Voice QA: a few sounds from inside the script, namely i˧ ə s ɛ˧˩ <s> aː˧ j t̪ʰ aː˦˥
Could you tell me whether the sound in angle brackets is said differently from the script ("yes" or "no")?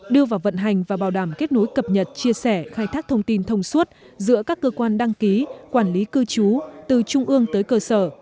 yes